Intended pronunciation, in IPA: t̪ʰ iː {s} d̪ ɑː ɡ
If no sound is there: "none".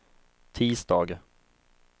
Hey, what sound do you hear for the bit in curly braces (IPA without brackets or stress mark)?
s